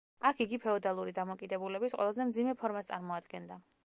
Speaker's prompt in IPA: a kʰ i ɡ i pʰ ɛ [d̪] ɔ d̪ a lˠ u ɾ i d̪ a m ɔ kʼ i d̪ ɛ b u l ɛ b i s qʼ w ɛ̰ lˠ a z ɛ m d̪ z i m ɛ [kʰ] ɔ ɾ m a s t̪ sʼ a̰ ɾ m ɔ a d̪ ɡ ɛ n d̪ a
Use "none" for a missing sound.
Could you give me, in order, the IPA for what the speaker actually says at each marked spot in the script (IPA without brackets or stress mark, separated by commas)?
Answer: none, pʰ